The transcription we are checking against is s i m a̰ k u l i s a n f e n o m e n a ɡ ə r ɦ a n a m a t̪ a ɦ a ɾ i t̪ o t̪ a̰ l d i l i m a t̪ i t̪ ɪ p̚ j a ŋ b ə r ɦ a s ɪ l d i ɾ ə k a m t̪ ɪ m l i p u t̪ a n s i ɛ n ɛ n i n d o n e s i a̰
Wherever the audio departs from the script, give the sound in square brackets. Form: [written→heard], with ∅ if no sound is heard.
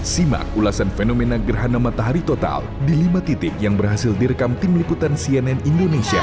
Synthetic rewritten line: s i m a̰ k u l [i→a] s a n f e n o m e n a ɡ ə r ɦ a n a m a t̪ a ɦ a ɾ i t̪ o t̪ a̰ l d i l i m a t̪ i t̪ ɪ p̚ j a ŋ b ə r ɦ a s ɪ l d i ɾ ə k a m t̪ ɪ m l i p u t̪ a n s i ɛ n ɛ n i n d o n e s i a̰